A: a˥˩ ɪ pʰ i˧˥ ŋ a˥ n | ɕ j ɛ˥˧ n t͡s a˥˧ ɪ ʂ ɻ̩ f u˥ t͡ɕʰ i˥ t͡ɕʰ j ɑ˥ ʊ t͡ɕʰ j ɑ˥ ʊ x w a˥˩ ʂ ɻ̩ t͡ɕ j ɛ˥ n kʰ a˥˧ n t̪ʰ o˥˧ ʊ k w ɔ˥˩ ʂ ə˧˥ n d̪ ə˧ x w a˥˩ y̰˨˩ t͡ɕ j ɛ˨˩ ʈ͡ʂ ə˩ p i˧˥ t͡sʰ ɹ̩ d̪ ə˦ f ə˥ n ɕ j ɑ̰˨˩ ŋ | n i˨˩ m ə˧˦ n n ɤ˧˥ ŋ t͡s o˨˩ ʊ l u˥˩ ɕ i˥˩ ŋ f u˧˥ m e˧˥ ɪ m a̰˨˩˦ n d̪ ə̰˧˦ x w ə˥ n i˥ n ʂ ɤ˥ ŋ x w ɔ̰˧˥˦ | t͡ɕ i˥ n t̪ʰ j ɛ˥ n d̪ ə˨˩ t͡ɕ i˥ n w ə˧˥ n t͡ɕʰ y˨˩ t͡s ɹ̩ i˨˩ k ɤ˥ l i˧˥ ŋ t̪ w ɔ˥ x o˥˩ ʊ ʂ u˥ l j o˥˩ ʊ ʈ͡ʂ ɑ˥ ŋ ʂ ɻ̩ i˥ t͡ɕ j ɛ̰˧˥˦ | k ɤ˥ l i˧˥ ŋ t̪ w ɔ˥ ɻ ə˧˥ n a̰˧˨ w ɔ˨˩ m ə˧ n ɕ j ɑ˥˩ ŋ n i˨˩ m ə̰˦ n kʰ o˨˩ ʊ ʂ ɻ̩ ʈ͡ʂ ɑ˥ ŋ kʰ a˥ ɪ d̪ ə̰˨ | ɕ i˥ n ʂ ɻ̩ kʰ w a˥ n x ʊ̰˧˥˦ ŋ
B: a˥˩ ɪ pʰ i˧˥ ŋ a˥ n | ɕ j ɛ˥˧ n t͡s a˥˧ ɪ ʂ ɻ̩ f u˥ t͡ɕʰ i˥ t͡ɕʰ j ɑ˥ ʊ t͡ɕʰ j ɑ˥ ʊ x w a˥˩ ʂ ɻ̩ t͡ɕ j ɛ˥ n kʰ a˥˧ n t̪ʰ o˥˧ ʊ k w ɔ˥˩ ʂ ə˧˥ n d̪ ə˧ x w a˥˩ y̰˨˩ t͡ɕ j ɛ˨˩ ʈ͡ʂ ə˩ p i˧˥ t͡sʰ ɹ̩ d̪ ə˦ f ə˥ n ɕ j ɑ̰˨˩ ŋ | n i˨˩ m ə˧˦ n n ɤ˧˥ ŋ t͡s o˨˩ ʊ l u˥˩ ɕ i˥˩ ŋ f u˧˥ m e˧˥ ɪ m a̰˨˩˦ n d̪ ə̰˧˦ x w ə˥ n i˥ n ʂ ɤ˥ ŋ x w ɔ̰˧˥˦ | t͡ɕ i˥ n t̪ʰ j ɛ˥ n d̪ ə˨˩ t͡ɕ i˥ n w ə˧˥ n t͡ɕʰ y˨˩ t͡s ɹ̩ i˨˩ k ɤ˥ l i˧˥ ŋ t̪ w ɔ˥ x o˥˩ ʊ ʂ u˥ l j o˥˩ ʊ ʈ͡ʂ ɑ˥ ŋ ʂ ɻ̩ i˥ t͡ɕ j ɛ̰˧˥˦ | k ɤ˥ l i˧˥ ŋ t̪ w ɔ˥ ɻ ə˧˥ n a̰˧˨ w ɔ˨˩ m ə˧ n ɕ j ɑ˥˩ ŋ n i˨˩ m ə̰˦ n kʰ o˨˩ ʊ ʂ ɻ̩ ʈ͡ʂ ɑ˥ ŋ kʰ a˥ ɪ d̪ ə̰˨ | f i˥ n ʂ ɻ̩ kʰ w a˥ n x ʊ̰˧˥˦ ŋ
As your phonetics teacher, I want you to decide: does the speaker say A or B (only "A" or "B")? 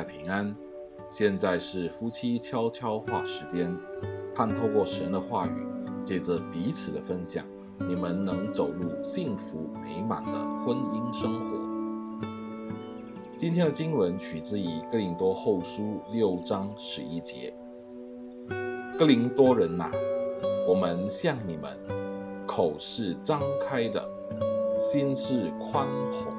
A